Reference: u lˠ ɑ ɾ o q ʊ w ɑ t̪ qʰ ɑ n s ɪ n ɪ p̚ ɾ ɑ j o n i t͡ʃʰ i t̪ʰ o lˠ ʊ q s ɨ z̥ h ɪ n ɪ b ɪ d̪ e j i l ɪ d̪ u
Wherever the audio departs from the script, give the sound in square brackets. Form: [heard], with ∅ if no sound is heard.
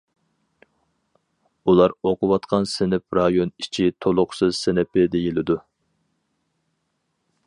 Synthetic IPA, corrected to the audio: u lˠ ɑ ɾ o q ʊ w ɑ t̪ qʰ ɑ n s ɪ n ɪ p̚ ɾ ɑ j o n i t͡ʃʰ i t̪ʰ o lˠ ʊ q s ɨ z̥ [s] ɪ n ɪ [p] ɪ d̪ e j i l ɪ d̪ u